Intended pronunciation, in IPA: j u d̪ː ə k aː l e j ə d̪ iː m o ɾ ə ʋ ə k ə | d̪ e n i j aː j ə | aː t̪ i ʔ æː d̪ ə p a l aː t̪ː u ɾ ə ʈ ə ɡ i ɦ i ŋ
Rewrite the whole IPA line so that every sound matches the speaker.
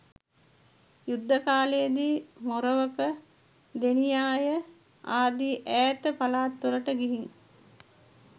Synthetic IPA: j u d̪ː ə k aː l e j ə d̪ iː m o ɾ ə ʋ ə k ə | d̪ e n i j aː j ə | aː d̪ i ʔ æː t̪ ə p a l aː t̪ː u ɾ ə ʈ ə ɡ i ɦ i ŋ